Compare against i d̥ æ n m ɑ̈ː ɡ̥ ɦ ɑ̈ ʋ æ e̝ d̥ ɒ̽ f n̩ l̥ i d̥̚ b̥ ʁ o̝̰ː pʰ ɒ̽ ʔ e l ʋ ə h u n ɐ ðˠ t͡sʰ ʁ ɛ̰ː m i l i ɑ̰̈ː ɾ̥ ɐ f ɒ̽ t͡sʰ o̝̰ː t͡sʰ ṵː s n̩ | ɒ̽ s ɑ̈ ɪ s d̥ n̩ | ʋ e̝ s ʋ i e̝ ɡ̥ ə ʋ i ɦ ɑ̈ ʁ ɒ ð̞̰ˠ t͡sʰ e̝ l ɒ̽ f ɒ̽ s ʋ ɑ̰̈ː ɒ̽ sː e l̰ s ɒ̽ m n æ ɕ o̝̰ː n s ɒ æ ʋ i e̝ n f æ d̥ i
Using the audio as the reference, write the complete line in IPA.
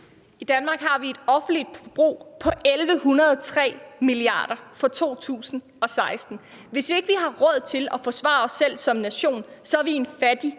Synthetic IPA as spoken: i d̥ æ n m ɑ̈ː ɡ̥ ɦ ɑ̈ ʋ i e̝ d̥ ɒ̽ f n̩ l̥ i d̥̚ b̥ ʁ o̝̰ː pʰ ɒ̽ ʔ e l ʋ ə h u n ɐ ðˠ t͡sʰ ʁ ɛ̰ː m i l i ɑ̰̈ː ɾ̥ ɐ f ɒ̽ t͡sʰ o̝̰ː t͡sʰ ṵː s n̩ | ɒ̽ s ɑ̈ ɪ s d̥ n̩ | ʋ e̝ s ʋ i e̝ ɡ̥ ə ʋ i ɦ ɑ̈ ʁ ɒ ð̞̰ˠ t͡sʰ e̝ l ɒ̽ f ɒ̽ s ʋ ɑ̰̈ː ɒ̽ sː e l̰ s ɒ̽ m n æ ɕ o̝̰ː n s ɒ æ ʋ i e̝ n f æ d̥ i